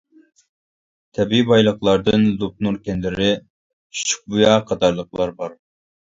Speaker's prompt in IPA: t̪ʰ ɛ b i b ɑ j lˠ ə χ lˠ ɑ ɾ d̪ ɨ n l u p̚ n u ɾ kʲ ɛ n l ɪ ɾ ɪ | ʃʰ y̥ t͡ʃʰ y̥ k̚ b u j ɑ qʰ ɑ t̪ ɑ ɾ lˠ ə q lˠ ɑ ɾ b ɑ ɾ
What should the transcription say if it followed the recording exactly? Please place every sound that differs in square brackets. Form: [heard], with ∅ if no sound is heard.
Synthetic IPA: t̪ʰ ɛ b i b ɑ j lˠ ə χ lˠ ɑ ɾ d̪ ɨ n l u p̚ n u ɾ kʲ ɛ n l ɪ ɾ ɪ | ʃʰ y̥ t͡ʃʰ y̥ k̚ b u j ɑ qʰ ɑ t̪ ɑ ɾ lˠ ə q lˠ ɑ ɾ b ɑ ɾ